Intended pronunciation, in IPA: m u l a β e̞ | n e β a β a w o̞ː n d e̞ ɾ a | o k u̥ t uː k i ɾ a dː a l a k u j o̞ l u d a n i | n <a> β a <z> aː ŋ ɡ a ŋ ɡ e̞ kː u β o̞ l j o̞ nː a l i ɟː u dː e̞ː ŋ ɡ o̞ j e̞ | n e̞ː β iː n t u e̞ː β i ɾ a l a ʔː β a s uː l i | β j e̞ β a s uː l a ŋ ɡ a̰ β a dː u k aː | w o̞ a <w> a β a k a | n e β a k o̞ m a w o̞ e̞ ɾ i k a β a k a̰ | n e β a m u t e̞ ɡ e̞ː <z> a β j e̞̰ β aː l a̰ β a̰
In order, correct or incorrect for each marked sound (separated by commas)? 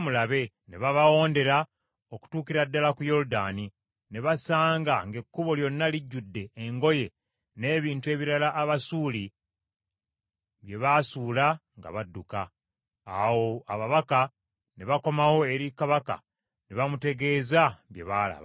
incorrect, incorrect, incorrect, correct